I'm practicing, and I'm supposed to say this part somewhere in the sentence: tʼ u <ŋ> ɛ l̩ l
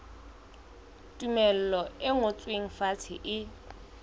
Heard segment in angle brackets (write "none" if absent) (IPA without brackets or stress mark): m